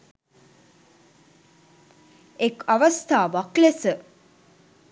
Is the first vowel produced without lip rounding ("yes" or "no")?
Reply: yes